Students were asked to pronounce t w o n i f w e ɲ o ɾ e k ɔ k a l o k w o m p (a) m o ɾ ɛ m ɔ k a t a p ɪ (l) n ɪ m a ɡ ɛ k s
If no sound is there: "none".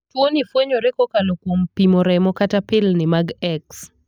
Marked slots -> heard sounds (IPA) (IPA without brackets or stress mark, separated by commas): i, l